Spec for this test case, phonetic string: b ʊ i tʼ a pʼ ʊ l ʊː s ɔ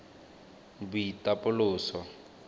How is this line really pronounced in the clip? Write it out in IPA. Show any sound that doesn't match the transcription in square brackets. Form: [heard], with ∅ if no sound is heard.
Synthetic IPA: b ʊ i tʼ a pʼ ʊ l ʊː s ɔ

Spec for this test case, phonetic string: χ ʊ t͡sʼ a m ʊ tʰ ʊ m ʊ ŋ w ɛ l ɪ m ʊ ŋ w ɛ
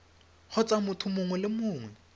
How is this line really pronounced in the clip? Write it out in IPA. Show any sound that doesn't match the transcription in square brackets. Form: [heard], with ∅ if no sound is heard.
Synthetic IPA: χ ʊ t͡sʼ a m ʊ tʰ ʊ m ʊ ŋ w ɛ l ɪ m [ʊː] ŋ w ɛ

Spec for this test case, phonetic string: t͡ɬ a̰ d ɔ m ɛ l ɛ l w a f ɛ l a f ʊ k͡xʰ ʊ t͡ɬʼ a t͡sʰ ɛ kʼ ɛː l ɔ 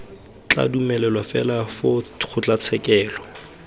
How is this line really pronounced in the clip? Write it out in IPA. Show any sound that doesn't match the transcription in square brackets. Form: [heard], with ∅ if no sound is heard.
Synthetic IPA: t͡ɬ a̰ d [u] m ɛ l ɛ l w a f ɛ l a f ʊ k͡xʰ ʊ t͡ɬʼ a t͡sʰ ɛ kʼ ɛː l ɔ

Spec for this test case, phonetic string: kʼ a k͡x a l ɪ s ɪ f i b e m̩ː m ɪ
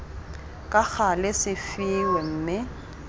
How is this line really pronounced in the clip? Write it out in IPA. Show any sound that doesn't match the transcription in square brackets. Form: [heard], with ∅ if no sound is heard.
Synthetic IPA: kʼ a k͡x a l ɪ s ɪ f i [w] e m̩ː m ɪ

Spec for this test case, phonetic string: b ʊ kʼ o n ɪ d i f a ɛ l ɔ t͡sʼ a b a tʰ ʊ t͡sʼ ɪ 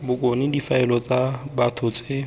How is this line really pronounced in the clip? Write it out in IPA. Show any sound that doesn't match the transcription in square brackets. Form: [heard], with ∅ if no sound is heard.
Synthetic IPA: b ʊ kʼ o n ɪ d i f a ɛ l ɔ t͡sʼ a b a tʰ ʊ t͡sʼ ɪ

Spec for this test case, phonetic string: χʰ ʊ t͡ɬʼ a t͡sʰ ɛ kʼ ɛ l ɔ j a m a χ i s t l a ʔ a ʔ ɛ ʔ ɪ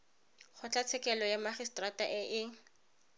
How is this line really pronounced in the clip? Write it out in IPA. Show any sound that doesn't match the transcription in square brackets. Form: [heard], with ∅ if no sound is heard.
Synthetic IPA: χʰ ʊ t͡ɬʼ a t͡sʰ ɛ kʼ ɛ l ɔ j a m a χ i s t [r] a [t] a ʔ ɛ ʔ ɪ

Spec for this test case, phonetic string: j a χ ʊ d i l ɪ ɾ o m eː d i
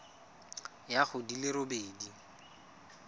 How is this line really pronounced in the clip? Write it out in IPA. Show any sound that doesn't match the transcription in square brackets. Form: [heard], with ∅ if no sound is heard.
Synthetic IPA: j a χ ʊ d i l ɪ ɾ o [b] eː d i

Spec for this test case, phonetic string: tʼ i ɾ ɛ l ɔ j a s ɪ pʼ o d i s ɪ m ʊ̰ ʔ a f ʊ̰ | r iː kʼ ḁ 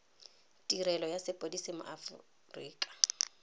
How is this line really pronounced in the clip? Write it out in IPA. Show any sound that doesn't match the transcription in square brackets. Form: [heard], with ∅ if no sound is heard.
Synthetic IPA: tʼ i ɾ ɛ l ɔ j a s ɪ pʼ o d i s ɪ m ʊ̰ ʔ a f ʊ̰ | r iː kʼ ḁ

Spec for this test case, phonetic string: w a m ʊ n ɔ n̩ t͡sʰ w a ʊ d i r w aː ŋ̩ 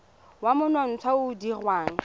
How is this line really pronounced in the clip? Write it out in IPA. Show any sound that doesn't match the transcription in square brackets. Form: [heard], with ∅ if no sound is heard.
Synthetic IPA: w a m ʊ n ɔ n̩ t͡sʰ w a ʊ d i r w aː ŋ̩

